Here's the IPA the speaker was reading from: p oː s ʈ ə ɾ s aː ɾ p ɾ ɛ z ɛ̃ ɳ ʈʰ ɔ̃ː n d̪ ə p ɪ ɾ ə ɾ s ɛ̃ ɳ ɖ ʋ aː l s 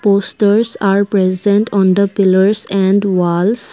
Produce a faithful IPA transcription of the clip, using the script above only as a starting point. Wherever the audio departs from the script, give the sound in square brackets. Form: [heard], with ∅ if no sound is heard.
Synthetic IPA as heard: p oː s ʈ ə ɾ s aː ɾ p ɾ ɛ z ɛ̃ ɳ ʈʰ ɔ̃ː n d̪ ə p ɪ [l] ə ɾ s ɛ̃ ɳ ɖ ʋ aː l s

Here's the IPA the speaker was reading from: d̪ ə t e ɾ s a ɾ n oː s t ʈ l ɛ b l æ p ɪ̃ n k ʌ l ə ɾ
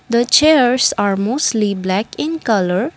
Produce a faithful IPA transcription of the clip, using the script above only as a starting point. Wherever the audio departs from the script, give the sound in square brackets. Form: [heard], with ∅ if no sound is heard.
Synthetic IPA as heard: d̪ ə [t͡ʃ] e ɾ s a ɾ [m] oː s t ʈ l [i] b l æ [k] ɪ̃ n k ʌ l ə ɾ

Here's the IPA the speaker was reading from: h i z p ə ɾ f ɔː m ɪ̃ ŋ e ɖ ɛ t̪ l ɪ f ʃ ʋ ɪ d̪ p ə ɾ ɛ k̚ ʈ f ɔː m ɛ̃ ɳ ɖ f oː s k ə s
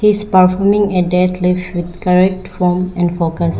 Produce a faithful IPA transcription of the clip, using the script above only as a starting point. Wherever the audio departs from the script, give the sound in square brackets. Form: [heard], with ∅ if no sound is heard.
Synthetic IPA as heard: h i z p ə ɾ f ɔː m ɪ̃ ŋ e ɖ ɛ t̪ l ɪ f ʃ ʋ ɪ d̪ [k] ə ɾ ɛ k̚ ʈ f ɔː m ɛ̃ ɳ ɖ f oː [∅] k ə s

